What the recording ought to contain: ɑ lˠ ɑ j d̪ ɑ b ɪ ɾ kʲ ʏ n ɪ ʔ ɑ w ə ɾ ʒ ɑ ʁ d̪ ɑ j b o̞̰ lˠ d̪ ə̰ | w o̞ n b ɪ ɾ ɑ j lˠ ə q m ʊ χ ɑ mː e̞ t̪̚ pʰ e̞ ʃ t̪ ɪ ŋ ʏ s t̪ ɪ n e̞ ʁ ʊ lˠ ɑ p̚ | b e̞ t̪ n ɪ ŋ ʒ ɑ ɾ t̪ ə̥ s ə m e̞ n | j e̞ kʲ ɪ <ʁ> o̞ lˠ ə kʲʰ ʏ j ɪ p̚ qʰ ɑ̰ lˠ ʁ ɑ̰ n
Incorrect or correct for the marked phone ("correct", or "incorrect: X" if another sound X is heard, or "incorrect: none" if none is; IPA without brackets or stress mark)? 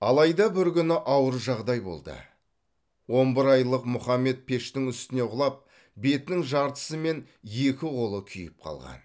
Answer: correct